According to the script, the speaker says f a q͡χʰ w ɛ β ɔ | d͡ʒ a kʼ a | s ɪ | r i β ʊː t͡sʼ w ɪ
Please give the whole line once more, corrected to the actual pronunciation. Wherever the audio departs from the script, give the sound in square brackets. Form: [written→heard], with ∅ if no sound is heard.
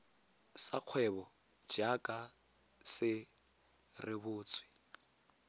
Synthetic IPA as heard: [f→s] a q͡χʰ w ɛ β ɔ | d͡ʒ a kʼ a | s ɪ | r [i→ɪ] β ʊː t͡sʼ w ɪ